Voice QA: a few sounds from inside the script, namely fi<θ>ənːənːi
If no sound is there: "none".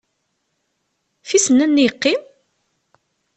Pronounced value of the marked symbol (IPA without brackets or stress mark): s